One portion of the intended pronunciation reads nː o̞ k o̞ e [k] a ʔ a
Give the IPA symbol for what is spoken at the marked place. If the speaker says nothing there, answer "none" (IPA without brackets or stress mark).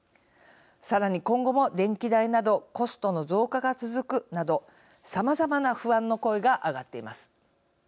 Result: ɡ